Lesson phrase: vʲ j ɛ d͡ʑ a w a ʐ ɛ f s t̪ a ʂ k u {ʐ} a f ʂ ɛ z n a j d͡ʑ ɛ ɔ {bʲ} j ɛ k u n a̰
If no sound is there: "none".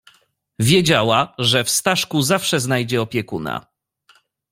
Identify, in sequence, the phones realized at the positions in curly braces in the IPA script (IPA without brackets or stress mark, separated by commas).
z, pʲ